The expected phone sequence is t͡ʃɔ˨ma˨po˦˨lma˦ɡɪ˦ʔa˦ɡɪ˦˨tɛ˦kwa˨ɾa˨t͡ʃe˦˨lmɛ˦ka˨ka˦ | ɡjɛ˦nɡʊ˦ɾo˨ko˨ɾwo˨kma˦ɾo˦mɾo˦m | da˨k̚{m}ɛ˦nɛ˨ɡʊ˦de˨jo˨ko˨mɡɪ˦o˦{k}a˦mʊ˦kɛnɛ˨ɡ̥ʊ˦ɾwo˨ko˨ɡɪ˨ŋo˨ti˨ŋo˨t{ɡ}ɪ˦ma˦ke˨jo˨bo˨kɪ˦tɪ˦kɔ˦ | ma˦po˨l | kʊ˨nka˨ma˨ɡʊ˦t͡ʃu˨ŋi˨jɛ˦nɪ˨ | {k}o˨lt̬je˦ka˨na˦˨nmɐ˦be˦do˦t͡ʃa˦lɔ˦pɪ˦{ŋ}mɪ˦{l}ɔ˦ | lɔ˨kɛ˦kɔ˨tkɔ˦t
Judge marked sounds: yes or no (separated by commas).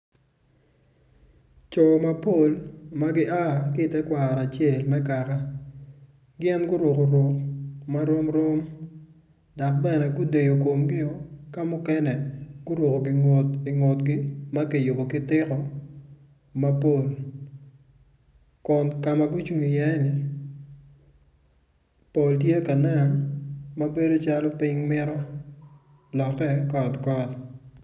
no, yes, yes, no, yes, no